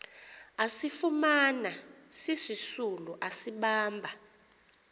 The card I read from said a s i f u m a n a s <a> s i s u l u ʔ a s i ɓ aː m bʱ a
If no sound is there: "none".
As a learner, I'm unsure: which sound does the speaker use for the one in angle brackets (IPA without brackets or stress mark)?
i